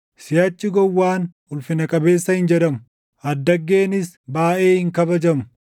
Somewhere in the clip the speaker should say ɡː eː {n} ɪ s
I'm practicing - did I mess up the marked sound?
no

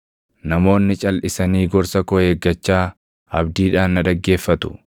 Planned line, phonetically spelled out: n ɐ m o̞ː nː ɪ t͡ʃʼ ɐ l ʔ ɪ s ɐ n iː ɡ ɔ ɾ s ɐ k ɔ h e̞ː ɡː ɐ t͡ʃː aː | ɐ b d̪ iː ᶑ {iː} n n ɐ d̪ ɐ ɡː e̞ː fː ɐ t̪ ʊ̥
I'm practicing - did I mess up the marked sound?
yes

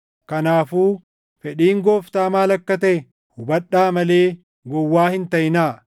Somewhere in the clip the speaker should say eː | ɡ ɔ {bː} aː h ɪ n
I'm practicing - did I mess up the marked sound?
yes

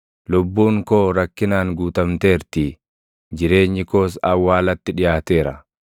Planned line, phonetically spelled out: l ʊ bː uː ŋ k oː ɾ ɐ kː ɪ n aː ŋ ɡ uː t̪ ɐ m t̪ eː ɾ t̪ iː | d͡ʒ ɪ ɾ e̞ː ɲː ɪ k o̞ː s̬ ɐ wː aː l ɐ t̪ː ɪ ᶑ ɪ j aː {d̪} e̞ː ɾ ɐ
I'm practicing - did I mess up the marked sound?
yes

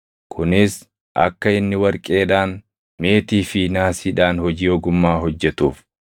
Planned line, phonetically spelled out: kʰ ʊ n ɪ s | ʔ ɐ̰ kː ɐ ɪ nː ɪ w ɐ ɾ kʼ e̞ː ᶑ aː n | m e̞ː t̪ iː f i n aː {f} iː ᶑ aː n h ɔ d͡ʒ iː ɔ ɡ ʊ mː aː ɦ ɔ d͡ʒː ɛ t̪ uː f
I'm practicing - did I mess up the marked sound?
yes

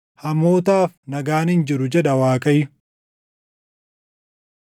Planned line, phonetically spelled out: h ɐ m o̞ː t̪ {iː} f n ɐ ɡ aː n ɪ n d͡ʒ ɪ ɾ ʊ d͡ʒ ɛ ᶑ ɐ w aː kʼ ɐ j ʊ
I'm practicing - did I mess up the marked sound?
yes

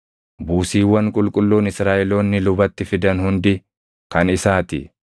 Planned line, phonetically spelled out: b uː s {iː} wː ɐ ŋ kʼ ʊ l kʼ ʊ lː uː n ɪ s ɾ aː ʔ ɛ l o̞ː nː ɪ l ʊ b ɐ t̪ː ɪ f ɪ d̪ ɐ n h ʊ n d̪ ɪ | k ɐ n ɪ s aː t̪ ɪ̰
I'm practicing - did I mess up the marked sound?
no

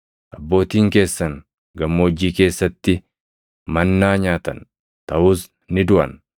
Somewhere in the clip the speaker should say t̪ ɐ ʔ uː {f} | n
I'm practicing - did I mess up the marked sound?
yes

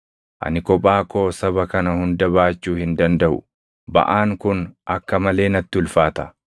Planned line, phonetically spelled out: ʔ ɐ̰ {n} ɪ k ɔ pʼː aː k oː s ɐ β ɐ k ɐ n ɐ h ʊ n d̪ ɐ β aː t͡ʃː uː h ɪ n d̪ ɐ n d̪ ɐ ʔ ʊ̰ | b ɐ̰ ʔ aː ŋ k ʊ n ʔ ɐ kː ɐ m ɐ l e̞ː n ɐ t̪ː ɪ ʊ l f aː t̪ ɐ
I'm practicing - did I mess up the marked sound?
no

